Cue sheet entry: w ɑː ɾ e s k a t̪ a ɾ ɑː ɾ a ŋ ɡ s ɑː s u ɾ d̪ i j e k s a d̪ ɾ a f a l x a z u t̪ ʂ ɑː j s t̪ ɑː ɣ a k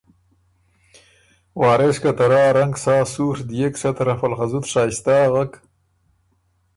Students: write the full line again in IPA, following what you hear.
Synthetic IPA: w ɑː ɾ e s k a t̪ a ɾ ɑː ɾ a ŋ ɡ s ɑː s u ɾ d̪ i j e k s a t̪ ɾ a f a l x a z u t̪ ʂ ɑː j s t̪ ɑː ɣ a k